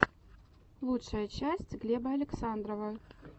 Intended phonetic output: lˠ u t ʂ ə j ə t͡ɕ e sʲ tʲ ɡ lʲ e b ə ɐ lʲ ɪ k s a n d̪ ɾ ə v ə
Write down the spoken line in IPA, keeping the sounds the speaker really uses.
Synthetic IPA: lˠ u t ʂ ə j ə t͡ɕ æ sʲ tʲ ɡ lʲ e b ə ɐ lʲ ɪ k s a n d̪ ɾ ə v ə